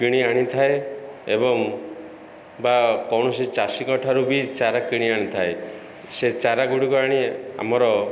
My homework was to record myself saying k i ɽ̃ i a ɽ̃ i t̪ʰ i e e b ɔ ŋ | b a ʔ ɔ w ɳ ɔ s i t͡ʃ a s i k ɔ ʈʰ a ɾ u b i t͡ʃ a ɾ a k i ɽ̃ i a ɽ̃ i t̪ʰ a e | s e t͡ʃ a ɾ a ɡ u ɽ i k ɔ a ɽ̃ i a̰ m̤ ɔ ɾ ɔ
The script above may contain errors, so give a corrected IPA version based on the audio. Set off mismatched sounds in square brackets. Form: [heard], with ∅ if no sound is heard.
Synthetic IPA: k i ɽ̃ i a ɽ̃ i t̪ʰ [a] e e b ɔ ŋ | b a [k] ɔ w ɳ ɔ s i t͡ʃ a s i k ɔ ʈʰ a ɾ u b i t͡ʃ a ɾ a k i ɽ̃ i a ɽ̃ i t̪ʰ a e | s e t͡ʃ a ɾ a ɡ u ɽ i k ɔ a ɽ̃ i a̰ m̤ ɔ ɾ ɔ

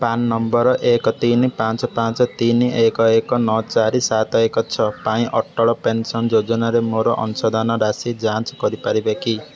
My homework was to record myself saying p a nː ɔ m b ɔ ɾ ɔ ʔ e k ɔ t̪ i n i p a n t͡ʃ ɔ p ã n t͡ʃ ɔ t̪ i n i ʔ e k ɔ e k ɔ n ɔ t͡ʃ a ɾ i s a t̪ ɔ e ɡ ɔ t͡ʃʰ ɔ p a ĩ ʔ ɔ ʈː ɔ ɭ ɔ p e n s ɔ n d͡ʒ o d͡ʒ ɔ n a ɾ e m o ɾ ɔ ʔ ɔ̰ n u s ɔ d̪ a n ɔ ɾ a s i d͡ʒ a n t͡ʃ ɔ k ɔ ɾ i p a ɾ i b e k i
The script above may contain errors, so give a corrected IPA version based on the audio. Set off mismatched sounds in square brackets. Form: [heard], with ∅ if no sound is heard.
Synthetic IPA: p a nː ɔ m b ɔ ɾ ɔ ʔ e k ɔ t̪ i n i p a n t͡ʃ ɔ p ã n t͡ʃ ɔ t̪ i n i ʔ e k ɔ e k ɔ n ɔ t͡ʃ a ɾ i s a t̪ ɔ e [k] ɔ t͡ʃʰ ɔ p a ĩ ʔ ɔ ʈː ɔ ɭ ɔ p e n s ɔ n d͡ʒ o d͡ʒ ɔ n a ɾ e m o ɾ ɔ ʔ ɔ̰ n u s ɔ d̪ a n ɔ ɾ a s i d͡ʒ a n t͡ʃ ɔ k ɔ ɾ i p a ɾ i b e k i

